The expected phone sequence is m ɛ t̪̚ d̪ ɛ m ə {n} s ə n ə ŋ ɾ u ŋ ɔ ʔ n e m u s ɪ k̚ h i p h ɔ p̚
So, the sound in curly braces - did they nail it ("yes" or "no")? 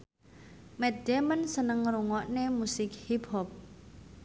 yes